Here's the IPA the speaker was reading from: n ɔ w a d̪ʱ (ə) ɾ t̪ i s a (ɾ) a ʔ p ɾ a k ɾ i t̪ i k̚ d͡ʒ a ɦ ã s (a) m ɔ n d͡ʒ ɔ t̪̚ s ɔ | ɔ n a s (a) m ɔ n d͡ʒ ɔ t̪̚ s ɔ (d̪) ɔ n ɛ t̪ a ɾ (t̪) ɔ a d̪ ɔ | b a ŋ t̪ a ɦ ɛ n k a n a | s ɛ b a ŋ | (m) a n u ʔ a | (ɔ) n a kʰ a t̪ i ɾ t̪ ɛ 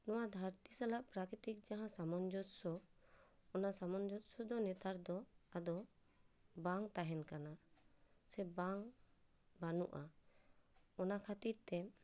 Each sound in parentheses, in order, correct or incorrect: incorrect, incorrect, correct, correct, correct, incorrect, incorrect, correct

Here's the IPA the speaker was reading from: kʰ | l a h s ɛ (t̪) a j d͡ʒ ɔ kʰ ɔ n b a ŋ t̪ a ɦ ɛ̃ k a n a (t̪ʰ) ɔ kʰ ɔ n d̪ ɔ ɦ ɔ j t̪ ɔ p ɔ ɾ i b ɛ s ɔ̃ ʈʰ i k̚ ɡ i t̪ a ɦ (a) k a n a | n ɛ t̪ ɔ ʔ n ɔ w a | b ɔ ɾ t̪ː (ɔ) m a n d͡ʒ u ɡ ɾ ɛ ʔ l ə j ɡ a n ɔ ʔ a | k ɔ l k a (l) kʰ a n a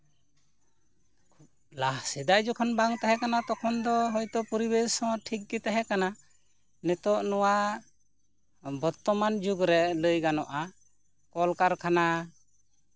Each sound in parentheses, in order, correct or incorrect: incorrect, incorrect, incorrect, correct, incorrect

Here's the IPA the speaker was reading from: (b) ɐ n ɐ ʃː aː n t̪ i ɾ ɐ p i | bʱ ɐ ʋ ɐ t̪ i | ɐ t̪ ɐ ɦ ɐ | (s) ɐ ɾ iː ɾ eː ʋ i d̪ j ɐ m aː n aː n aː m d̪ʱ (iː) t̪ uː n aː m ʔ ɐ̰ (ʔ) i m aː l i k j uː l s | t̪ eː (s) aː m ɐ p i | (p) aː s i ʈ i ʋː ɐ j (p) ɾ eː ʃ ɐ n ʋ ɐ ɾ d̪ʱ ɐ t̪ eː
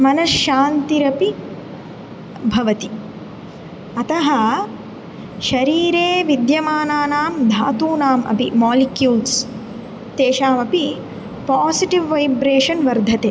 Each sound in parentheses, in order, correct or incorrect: incorrect, incorrect, incorrect, incorrect, incorrect, correct, incorrect

